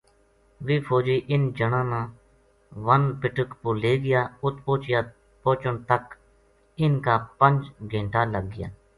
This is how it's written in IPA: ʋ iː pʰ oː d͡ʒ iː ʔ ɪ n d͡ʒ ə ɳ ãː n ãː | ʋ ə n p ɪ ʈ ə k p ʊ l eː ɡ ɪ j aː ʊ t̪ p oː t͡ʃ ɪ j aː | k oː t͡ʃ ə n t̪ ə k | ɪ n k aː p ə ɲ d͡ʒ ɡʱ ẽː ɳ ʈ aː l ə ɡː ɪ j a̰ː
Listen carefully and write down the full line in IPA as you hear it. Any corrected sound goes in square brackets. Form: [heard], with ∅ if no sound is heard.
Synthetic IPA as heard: ʋ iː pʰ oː d͡ʒ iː ʔ ɪ n d͡ʒ ə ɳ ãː n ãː | ʋ ə n p ɪ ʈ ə k p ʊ l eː ɡ ɪ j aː ʊ t̪ p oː t͡ʃ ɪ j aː | [p] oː t͡ʃ ə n t̪ ə k | ɪ n k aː p ə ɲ d͡ʒ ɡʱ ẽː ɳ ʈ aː l ə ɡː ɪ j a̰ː